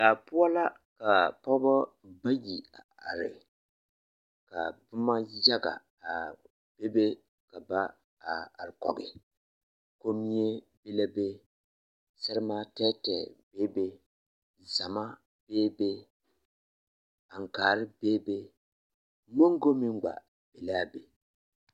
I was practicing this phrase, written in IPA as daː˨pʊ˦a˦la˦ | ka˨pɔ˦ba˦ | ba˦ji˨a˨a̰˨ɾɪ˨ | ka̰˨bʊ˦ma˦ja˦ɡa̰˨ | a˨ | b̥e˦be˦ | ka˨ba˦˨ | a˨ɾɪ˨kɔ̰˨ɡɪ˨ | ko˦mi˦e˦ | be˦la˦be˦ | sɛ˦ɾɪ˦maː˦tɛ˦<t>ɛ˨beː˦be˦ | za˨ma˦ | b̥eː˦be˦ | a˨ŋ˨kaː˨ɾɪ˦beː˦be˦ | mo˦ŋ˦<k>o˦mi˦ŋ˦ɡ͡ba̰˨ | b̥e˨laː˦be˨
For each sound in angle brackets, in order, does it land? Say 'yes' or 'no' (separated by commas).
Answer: yes, no